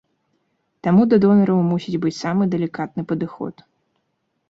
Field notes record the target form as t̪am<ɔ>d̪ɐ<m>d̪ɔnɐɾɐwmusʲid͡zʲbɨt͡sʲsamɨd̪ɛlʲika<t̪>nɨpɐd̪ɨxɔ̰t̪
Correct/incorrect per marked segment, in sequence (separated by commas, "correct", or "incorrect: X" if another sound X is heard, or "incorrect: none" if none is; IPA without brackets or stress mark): incorrect: u, incorrect: none, correct